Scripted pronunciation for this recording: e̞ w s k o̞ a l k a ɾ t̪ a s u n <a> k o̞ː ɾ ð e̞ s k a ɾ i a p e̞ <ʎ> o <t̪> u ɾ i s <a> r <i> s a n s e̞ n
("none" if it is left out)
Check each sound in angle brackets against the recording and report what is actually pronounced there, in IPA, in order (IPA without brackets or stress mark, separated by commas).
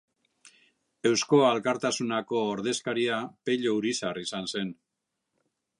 a, ʎ, none, a, i